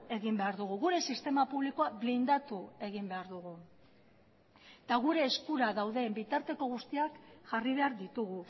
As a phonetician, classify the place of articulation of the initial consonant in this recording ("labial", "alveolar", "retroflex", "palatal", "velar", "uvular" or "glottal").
velar